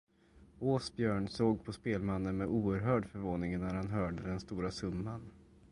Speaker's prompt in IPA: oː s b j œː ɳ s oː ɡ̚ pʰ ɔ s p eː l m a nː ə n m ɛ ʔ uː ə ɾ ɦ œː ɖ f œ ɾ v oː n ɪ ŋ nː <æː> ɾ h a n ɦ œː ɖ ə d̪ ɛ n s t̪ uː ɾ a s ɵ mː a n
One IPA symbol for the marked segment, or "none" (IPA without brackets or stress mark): æ